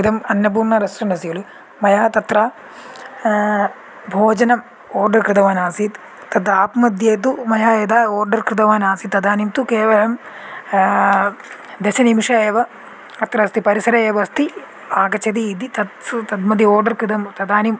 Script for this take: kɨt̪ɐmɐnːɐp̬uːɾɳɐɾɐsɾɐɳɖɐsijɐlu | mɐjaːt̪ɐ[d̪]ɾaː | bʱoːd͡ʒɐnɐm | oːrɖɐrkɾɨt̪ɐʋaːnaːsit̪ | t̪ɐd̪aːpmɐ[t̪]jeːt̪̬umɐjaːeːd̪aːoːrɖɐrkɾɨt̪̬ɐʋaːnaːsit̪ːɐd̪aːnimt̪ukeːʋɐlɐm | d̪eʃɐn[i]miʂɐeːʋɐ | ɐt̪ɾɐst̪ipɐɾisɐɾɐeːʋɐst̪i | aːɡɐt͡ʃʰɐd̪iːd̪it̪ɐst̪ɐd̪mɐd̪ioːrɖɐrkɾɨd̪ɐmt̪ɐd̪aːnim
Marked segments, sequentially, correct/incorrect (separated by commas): incorrect, incorrect, correct